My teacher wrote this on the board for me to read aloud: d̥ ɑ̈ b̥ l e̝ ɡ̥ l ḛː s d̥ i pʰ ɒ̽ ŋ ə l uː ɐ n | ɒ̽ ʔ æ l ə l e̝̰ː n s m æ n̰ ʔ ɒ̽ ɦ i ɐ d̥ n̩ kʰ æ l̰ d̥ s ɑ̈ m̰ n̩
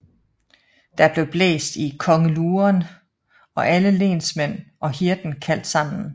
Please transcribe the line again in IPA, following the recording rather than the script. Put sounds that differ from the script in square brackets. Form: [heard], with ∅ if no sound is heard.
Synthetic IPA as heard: d̥ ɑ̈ b̥ l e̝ [b̥] l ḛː s d̥ i [kʰ] ɒ̽ ŋ ə l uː ɐ n | ɒ̽ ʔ æ l ə l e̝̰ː n s m [e] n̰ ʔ ɒ̽ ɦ i ɐ d̥ n̩ kʰ æ l̰ d̥ s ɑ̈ m̰ n̩